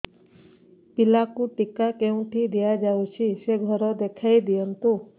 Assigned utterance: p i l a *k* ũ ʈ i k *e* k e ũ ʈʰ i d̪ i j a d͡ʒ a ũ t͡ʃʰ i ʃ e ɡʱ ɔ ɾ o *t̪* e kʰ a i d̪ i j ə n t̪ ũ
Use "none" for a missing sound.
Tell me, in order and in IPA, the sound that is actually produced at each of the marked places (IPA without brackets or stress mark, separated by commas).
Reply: k, a, d̪